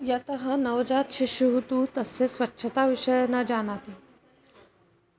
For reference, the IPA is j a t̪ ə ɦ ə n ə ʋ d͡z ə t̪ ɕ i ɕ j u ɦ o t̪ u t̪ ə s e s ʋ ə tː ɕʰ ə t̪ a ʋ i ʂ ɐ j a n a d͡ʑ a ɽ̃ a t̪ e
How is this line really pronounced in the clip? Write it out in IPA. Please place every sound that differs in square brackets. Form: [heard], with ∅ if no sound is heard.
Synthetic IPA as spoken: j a t̪ ə ɦ ə n ə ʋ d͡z [a] t̪ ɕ i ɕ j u ɦ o t̪ u t̪ ə s e s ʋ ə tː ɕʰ ə t̪ a ʋ i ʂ [ə] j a n a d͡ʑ a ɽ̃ a t̪ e